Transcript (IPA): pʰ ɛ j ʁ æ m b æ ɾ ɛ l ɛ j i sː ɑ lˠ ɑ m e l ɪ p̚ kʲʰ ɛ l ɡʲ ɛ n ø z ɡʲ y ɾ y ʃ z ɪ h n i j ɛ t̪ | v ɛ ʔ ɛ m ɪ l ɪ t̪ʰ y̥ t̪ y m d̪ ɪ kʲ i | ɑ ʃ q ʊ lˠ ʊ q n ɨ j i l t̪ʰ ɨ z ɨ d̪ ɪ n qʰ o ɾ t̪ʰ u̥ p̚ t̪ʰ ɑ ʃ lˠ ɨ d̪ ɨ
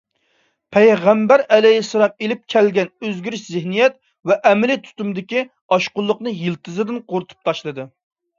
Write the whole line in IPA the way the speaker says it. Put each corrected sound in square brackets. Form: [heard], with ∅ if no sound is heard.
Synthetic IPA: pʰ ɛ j ʁ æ m b æ ɾ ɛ l ɛ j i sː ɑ lˠ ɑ m e l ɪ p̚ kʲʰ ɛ l ɡʲ ɛ n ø z ɡʲ y ɾ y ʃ z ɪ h n i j ɛ t̪ | v ɛ ʔ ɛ m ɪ l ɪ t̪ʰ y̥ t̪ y m d̪ ɪ kʲ i | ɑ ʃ q ʊ [lˠː] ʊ q n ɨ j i l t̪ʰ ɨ z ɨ d̪ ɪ n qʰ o ɾ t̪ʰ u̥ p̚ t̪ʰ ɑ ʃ lˠ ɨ d̪ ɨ